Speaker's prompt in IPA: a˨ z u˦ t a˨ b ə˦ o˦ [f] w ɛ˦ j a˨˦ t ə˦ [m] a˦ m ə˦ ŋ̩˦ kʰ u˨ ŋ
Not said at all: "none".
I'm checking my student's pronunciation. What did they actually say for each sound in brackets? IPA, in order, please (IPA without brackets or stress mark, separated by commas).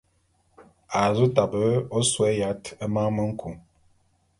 s, m